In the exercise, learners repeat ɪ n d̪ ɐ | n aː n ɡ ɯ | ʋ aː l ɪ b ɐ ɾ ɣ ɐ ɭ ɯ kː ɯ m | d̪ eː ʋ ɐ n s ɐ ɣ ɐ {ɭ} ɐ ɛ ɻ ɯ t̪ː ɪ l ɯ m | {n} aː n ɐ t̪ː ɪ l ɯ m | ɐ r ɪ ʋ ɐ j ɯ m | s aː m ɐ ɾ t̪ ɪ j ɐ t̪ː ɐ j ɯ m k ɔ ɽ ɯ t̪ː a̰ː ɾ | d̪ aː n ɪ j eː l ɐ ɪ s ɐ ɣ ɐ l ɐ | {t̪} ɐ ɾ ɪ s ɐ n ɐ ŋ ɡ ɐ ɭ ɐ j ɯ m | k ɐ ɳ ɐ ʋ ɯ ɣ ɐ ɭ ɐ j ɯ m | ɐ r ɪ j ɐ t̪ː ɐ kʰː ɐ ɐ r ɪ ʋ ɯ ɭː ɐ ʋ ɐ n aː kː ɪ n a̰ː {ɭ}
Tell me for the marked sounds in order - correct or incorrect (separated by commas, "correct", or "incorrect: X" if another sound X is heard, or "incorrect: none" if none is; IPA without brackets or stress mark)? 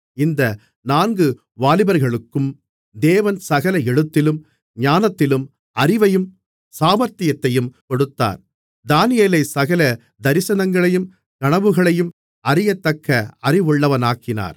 incorrect: l, incorrect: ɲ, incorrect: d̪, incorrect: ɾ